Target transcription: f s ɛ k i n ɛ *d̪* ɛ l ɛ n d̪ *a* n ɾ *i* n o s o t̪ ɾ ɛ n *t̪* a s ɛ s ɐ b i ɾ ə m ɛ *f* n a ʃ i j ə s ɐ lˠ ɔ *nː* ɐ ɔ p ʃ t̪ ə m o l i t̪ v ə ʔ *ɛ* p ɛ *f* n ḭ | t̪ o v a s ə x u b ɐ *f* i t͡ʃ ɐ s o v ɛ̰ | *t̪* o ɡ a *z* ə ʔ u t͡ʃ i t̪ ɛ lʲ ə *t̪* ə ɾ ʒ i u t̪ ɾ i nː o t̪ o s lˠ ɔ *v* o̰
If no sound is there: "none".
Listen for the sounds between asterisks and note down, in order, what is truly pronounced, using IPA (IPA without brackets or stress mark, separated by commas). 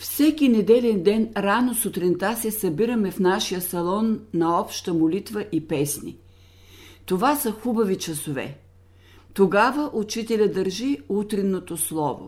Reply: d̪, ɛ, a, t̪, f, nː, i, s, v, t̪, v, d̪, v